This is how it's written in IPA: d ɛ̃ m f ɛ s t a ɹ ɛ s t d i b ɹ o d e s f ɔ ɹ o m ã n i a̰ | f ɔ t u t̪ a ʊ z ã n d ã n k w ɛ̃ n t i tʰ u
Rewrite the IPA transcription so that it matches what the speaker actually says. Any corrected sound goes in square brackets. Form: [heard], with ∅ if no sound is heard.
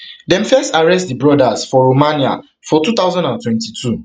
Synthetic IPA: d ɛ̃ m f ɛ s t a ɹ ɛ s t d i b ɹ [ɔ] d [a] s f ɔ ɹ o m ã n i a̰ | f ɔ t u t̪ a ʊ z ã n d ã n [t] w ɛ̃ n t i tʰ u